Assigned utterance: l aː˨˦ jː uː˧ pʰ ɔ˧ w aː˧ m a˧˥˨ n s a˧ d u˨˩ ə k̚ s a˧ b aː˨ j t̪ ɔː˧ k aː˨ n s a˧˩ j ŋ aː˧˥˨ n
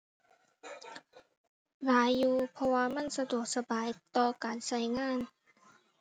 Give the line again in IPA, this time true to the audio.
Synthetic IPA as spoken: l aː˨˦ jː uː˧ pʰ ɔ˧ w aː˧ m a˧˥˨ n s a˧ d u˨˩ ə k̚ s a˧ b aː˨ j t̪ ɔː˧ k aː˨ n s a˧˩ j ŋ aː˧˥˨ n